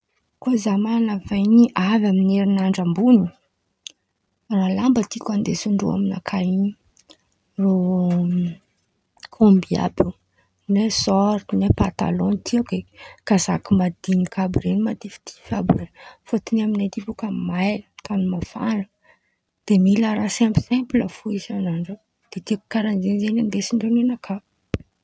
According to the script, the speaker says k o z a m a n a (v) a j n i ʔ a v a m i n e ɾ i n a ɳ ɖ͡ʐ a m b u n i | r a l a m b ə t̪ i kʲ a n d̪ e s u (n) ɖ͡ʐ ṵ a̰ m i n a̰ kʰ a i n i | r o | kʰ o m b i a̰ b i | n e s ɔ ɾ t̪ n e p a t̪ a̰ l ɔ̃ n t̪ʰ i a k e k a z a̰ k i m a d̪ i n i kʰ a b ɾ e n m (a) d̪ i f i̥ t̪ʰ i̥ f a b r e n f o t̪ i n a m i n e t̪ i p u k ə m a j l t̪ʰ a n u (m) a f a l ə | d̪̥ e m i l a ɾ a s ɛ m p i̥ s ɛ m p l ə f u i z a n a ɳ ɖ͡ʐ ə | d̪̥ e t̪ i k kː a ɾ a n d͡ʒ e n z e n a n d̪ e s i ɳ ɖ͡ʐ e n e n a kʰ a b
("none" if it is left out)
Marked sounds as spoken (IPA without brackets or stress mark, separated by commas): v, ɳ, a, m